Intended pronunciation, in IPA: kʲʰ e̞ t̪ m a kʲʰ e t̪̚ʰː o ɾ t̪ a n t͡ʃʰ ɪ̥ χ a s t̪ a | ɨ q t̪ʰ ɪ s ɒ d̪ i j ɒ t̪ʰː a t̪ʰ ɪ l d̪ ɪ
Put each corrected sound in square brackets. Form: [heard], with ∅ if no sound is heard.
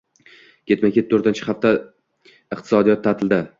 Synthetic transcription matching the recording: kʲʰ e̞ t̪ m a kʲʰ e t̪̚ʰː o ɾ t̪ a n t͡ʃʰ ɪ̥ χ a [f] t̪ a | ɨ q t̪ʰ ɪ s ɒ d̪ i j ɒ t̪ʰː a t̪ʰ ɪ l d̪ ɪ